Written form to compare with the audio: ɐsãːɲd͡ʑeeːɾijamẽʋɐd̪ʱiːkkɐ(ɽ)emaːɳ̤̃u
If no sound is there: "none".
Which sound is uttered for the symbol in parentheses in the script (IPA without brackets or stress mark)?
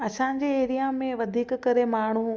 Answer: ɾ